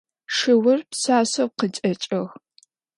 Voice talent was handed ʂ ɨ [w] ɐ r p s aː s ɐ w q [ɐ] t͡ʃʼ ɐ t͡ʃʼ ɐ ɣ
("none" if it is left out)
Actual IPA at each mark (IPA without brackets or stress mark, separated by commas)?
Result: w, ə